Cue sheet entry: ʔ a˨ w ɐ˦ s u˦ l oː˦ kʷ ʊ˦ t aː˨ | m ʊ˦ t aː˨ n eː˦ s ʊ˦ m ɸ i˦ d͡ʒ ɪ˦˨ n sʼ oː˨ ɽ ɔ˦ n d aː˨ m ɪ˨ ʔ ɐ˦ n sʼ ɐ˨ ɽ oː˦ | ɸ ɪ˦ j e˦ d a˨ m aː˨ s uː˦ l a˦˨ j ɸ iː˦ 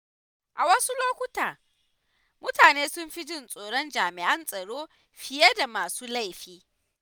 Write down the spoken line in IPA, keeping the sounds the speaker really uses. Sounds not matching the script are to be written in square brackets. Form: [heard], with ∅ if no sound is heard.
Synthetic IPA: ʔ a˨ w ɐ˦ s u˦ l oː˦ kʷ ʊ˦ t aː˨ | m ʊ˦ t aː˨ n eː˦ s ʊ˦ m ɸ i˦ d͡ʒ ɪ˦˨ n sʼ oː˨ ɽ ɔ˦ n [d͡ʒ] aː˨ m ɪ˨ ʔ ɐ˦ n sʼ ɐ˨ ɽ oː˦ | ɸ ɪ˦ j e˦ d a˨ m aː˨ s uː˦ l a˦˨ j ɸ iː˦

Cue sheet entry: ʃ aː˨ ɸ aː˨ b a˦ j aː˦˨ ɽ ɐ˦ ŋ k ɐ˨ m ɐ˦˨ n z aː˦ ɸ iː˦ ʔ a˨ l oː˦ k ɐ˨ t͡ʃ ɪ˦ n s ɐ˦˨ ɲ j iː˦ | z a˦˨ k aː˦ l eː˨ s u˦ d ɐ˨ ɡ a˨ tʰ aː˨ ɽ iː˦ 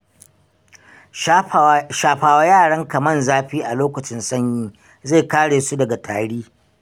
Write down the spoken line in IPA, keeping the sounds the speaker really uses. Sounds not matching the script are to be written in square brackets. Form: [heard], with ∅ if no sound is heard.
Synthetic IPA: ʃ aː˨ ɸ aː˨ [w] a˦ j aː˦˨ ɽ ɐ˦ ŋ k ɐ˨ m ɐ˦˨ n z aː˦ ɸ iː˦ ʔ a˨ l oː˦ k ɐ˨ t͡ʃ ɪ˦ n s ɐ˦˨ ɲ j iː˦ | z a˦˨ k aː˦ [ɽ] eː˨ s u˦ d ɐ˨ ɡ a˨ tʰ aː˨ ɽ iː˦

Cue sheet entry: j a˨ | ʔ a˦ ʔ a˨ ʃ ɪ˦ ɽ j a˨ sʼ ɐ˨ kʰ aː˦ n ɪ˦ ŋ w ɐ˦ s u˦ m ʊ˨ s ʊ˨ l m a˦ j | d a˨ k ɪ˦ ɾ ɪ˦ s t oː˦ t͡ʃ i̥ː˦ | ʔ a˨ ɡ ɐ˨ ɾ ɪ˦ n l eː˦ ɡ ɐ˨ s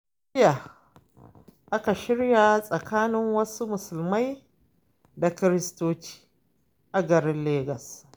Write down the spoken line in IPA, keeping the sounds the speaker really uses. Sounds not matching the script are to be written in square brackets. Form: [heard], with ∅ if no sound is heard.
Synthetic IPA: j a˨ | ʔ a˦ [k] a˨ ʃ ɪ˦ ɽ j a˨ sʼ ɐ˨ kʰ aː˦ n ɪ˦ ŋ w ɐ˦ s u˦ m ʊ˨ s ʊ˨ l m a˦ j | d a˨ k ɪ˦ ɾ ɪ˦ s t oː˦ t͡ʃ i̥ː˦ | ʔ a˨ ɡ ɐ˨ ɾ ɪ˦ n l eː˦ ɡ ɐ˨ s

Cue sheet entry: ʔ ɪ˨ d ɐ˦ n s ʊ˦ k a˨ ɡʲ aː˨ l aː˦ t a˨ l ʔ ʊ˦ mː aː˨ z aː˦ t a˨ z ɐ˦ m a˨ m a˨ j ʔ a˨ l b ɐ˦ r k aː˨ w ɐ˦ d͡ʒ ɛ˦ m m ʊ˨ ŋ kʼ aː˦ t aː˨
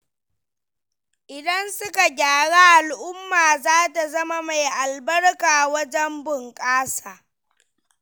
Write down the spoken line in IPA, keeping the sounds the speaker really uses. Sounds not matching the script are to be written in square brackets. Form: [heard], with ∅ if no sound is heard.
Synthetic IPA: ʔ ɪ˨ d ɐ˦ n s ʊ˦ k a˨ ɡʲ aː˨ [ɽ] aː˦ [ʔ] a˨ l ʔ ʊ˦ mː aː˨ z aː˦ t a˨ z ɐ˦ m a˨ m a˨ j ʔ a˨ l b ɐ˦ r k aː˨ w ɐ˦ d͡ʒ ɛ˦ m [b] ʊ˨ ŋ kʼ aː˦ [s] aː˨

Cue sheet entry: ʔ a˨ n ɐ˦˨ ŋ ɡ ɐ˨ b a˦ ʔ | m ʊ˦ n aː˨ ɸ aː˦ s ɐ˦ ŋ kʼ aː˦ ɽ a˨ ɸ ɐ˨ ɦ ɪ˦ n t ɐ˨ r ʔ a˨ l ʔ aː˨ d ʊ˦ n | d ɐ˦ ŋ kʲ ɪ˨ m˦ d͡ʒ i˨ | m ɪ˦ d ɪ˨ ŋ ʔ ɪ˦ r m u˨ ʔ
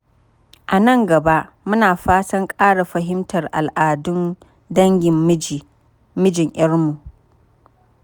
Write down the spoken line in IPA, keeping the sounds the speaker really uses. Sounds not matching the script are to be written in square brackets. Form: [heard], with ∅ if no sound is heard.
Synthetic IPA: ʔ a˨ n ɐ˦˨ ŋ ɡ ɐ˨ b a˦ ʔ | m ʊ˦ n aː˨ ɸ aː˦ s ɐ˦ ŋ kʼ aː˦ ɽ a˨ ɸ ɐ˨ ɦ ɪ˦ [m] t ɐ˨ r ʔ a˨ l ʔ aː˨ d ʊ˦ n | d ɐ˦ ŋ [ɡʲ] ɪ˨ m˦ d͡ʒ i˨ | m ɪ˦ [d͡ʒ] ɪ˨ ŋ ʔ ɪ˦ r m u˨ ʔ

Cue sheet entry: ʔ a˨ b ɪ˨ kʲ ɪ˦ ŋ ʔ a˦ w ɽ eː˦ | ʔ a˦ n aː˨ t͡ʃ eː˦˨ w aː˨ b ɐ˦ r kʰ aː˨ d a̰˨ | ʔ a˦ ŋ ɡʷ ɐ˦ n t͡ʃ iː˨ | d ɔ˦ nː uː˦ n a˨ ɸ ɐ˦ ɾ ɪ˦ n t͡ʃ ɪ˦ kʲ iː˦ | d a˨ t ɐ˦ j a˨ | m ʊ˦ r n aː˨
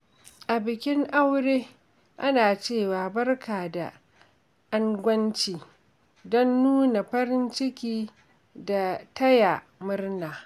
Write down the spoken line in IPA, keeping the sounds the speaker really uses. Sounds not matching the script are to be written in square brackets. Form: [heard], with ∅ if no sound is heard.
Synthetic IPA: ʔ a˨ b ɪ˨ kʲ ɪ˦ ŋ ʔ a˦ w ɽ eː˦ | ʔ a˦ n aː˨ t͡ʃ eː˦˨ w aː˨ b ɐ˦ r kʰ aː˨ d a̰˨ | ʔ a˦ ŋ ɡʷ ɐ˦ n t͡ʃ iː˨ | d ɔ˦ nː uː˦ n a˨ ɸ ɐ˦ ɾ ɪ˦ n t͡ʃ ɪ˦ kʲ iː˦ | d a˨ t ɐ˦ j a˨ | m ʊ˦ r n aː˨

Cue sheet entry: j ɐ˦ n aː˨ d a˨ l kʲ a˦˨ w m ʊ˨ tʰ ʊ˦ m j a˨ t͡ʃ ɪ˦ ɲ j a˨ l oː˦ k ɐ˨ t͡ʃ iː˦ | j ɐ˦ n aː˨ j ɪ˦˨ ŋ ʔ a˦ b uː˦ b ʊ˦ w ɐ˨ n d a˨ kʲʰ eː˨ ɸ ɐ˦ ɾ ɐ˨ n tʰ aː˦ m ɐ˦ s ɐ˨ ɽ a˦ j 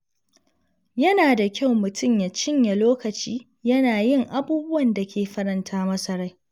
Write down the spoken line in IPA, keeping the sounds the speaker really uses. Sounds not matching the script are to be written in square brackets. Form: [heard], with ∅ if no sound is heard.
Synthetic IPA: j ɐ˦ n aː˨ d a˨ [∅] kʲ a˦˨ w m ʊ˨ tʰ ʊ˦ m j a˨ t͡ʃ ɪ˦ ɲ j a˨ l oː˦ k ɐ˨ t͡ʃ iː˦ | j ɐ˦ n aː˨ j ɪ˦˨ ŋ ʔ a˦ b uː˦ b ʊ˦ w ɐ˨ n d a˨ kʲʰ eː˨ ɸ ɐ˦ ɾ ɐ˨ n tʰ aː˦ m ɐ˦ s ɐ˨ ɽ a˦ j

